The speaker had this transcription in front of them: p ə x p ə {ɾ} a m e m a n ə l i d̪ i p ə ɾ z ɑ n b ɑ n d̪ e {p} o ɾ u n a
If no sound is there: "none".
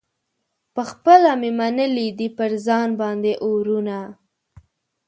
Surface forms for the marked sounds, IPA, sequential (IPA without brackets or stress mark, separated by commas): l, ʔ